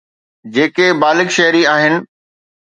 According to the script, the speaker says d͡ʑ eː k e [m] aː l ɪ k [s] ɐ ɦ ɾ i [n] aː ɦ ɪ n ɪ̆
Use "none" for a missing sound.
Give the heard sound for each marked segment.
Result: b, ʃ, none

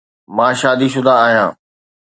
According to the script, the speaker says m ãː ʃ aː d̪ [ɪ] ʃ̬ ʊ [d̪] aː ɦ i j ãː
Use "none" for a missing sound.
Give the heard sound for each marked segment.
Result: i, d̪

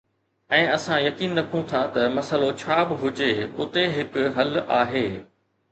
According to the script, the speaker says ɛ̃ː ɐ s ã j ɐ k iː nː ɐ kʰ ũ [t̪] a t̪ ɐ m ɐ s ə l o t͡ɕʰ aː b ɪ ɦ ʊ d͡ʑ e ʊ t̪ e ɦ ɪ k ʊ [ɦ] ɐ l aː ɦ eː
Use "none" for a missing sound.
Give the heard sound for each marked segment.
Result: t̪ʰ, ɦ

